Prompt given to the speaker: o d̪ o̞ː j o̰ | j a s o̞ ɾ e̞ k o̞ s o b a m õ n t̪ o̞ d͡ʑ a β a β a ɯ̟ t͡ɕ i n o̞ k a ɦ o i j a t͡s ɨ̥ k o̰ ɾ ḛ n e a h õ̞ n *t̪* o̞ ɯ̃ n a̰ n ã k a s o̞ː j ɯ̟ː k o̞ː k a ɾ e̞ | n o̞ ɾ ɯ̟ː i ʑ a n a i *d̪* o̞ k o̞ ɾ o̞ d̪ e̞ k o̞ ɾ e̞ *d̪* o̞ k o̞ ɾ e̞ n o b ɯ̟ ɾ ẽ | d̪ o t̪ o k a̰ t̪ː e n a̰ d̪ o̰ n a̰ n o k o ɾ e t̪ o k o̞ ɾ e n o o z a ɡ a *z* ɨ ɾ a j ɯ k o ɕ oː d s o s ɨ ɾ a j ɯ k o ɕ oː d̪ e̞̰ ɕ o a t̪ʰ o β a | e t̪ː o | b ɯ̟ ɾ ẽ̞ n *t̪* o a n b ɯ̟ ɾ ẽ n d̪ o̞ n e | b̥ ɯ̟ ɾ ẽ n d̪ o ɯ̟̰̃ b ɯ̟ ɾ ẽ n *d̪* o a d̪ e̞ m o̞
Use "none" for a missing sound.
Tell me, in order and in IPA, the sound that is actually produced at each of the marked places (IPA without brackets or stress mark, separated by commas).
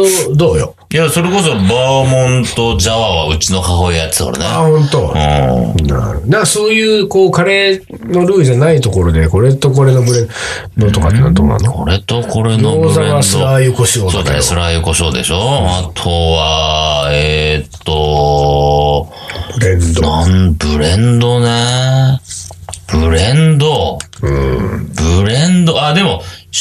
t̪, t̪, t̪, s, d̪, d̪